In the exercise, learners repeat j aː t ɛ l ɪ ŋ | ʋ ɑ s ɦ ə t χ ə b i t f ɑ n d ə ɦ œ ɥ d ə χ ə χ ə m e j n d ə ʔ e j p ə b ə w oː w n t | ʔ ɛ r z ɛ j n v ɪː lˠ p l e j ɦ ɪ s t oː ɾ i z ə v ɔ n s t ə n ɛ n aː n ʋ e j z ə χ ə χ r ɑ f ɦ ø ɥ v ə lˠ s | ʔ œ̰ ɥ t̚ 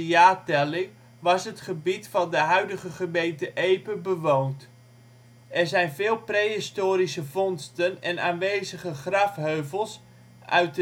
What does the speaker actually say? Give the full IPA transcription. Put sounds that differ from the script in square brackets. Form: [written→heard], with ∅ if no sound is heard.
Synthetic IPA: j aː t ɛ l ɪ ŋ | ʋ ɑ s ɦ ə t χ ə b i t f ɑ n d ə ɦ œ ɥ d ə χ ə χ ə m e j n [d→t] ə ʔ e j p ə b ə [w→ʋ] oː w n t | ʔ ɛ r z ɛ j n v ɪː lˠ p [l→r] e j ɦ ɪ s t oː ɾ i [z→s] ə v ɔ n s t ə n ɛ n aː n ʋ e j z ə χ ə χ r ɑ f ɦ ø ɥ v ə lˠ s | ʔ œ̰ ɥ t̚

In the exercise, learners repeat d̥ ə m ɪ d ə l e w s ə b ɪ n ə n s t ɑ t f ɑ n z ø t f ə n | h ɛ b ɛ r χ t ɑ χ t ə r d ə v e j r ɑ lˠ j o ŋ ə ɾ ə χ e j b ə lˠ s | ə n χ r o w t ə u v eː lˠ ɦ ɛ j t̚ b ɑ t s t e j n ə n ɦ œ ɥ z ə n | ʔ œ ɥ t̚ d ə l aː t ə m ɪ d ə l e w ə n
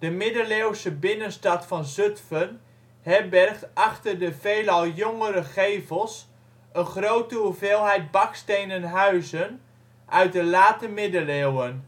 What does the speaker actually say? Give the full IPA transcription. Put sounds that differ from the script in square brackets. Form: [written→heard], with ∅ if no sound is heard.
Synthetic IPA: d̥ ə m ɪ d ə l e w s ə b ɪ n ə n s t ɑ t f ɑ n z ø t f ə n | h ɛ b ɛ r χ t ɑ χ t ə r d ə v e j [r→l] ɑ lˠ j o ŋ ə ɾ ə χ e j [b→v] ə lˠ s | ə n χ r o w t ə u v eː lˠ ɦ ɛ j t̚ b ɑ [t→k] s t e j n ə n ɦ œ ɥ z ə n | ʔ œ ɥ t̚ d ə l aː t ə m ɪ d ə l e w ə n

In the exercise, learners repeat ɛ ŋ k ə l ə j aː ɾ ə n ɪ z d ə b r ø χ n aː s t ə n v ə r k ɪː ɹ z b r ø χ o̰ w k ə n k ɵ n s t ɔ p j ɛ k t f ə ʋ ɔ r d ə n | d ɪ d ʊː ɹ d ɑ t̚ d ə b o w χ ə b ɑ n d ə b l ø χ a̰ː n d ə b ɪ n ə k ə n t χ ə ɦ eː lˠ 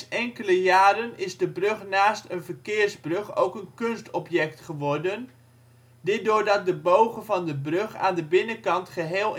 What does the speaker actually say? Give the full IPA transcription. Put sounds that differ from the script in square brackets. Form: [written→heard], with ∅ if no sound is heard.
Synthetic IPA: ɛ ŋ k ə l ə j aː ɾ ə n ɪ z d ə b r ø χ n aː s t ə n v ə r k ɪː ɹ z b r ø χ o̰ w k ə n k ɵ n s t ɔ p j ɛ k t [f→χ] ə ʋ ɔ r d ə n | d ɪ d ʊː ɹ d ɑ t̚ d ə b o w χ ə [b→v] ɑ n d ə b [l→r] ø χ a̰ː n d ə b ɪ n ə k [ə→ɑ] n t χ ə ɦ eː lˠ

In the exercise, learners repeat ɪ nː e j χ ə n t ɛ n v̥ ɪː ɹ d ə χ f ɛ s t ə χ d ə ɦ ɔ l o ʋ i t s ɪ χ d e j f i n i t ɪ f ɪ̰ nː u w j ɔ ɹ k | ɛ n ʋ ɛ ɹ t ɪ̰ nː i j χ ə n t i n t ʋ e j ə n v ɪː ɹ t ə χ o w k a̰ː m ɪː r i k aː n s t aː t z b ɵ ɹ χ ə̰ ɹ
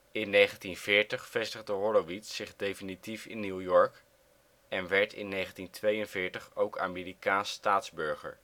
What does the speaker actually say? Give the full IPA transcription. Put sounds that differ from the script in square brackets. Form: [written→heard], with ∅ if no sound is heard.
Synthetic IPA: ɪ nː e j χ ə n t [ɛ→i] n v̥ ɪː ɹ [d→t] ə χ f ɛ s t ə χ d ə ɦ ɔ l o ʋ i t s ɪ χ d e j f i n i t [ɪ→i] f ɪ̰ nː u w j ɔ ɹ k | ɛ n ʋ ɛ ɹ t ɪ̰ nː [i→e] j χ ə n t i n t ʋ e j ə n v ɪː ɹ t ə χ o w k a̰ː m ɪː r i k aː n s t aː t z b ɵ ɹ χ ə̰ ɹ

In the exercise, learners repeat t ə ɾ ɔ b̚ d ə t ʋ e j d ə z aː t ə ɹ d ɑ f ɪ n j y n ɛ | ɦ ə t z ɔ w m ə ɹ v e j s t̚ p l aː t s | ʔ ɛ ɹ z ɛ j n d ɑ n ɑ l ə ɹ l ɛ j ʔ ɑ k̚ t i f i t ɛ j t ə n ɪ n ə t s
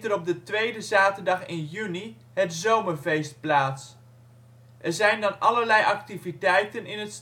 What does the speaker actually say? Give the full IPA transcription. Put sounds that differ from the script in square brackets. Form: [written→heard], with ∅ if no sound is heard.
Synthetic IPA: t ə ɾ ɔ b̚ d ə t ʋ e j d ə z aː t ə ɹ d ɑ [f→χ] ɪ n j y n [ɛ→i] | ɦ ə t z [ɔ→o] w m ə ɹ v e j s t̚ p l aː t s | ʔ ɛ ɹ z ɛ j n d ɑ n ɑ l ə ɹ l ɛ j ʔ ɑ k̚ t i [f→v] i t ɛ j t ə n ɪ n ə t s

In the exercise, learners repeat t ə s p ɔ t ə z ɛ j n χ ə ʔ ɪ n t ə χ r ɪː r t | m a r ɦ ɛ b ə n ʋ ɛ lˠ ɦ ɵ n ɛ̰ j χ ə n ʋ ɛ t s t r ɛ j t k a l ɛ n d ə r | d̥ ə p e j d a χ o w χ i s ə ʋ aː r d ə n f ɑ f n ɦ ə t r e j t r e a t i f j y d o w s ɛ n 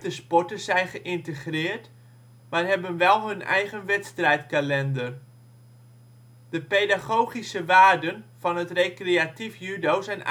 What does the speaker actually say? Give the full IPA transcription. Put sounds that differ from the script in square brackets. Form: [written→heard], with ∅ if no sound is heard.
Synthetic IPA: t ə s p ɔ t ə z ɛ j n χ ə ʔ ɪ n t ə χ r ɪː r t | m a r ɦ ɛ b ə n ʋ ɛ lˠ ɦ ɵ n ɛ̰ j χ ə n ʋ ɛ t s t r ɛ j t k a l ɛ n d ə r | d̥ ə p e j d a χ o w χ i s ə ʋ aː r d ə n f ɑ [f→∅] n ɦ ə t r e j [t→k] r e a t i f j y d o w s ɛ n

